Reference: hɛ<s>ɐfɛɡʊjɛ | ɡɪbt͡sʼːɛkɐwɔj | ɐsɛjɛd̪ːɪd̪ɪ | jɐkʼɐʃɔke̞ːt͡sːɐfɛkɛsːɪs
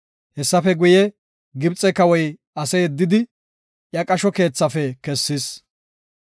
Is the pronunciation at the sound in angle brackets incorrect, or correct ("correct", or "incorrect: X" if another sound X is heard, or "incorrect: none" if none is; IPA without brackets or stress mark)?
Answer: incorrect: sː